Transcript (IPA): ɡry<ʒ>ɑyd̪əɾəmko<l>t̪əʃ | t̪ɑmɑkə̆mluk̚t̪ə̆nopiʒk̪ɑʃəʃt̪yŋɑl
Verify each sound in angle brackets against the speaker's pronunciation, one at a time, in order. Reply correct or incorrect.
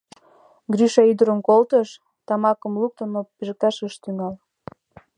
incorrect: ʃ, correct

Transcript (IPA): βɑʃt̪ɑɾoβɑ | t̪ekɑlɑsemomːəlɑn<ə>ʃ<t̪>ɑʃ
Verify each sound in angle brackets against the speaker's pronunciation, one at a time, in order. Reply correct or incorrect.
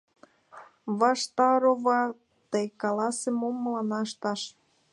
incorrect: ɑ, correct

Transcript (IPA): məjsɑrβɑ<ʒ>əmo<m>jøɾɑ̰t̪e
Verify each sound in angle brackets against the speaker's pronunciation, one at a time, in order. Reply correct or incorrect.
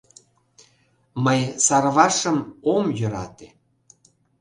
incorrect: ʃ, correct

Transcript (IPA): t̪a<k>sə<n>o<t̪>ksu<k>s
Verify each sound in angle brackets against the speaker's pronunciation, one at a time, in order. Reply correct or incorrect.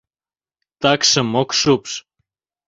correct, incorrect: m, incorrect: none, incorrect: p

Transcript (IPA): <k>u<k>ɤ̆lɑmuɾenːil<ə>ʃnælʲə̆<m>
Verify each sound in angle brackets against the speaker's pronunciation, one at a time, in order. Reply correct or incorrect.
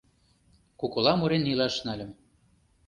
correct, correct, incorrect: ɑ, correct

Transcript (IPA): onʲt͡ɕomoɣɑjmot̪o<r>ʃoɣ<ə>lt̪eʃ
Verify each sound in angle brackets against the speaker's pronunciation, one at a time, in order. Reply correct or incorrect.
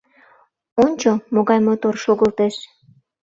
correct, correct

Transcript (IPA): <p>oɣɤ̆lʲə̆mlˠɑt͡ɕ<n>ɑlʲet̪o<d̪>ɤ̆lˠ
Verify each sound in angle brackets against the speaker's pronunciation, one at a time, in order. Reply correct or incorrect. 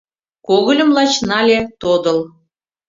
incorrect: k, correct, correct

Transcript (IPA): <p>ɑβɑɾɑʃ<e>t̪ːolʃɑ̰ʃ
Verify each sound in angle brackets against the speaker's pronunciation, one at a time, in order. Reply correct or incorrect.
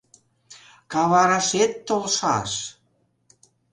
incorrect: k, correct

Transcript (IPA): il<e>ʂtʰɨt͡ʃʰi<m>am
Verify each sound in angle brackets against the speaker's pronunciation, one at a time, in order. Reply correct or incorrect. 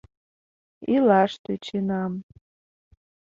incorrect: a, incorrect: n

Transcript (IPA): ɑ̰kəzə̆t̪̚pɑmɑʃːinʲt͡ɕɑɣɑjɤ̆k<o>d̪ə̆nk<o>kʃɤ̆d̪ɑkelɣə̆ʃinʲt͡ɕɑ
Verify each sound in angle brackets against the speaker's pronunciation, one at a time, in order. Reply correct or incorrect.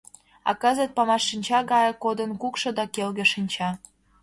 correct, incorrect: u

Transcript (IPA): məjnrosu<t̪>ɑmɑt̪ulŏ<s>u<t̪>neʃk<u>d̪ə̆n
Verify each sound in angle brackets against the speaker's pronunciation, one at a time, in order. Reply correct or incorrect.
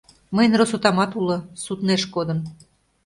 correct, correct, correct, incorrect: o

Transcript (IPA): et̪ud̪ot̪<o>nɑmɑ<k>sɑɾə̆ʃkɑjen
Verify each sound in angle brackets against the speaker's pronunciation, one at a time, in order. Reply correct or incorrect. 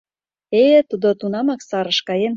incorrect: u, correct

